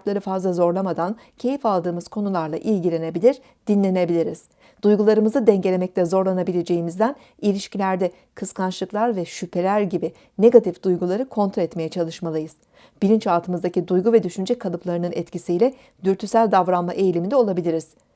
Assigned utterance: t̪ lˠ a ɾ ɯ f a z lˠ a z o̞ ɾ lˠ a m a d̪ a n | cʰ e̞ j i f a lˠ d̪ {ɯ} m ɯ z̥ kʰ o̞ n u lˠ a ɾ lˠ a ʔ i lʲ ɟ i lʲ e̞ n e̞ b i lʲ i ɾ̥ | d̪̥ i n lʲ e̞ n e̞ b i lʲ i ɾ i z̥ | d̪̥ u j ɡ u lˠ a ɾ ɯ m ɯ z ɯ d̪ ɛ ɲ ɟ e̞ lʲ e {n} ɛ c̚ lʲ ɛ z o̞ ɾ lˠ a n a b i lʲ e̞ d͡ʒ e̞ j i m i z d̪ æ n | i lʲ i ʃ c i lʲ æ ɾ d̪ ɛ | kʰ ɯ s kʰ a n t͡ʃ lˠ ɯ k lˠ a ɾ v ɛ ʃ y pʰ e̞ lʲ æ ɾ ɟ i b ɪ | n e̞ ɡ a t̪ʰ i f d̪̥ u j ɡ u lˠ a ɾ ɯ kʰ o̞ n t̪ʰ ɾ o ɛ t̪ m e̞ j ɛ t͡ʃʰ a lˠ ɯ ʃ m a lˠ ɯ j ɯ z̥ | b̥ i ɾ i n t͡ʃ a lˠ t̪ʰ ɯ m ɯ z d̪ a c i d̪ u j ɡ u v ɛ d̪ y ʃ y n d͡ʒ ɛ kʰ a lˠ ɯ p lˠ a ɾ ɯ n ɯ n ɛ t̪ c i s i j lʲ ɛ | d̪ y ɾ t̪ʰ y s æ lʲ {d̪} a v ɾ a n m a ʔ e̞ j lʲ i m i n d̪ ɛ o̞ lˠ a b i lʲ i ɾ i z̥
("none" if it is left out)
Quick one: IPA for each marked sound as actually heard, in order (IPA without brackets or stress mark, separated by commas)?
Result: ɯː, m, d̪